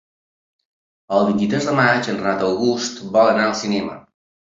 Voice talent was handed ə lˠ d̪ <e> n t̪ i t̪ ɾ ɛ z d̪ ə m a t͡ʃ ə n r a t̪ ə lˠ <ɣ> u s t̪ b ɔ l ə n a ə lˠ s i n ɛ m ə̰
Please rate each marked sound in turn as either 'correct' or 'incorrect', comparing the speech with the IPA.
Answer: incorrect, correct

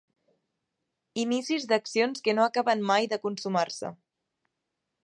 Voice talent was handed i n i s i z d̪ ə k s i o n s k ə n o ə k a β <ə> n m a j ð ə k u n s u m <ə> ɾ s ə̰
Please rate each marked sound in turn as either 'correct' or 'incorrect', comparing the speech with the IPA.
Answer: correct, incorrect

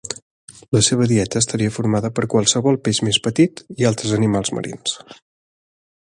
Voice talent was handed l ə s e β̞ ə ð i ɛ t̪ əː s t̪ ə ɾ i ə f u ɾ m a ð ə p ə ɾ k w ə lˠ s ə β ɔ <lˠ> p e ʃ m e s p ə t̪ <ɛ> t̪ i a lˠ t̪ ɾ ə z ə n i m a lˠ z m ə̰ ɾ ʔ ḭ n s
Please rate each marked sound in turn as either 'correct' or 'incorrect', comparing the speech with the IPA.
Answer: correct, incorrect

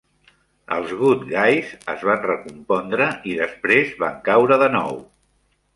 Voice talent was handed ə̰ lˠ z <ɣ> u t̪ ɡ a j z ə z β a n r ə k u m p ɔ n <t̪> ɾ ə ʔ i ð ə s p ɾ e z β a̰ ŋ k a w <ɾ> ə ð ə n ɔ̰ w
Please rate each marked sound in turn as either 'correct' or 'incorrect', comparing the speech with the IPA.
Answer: correct, incorrect, correct

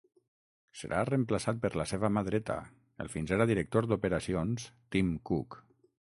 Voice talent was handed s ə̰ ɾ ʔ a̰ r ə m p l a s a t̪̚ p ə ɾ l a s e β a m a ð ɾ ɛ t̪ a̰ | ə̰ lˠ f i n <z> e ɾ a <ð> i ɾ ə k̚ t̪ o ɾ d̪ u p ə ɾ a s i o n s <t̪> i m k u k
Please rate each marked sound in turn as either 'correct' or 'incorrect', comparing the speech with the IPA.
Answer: correct, correct, correct

